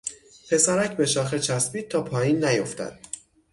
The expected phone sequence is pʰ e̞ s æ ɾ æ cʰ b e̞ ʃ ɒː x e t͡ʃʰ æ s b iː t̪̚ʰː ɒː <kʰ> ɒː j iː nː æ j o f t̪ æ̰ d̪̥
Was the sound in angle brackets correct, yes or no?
no